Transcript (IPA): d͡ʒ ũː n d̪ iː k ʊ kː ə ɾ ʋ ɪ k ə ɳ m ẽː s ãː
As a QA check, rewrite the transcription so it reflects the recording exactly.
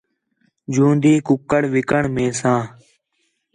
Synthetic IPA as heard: d͡ʒ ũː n d̪ iː k ʊ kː ə ɽ ʋ ɪ k ə ɳ m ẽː s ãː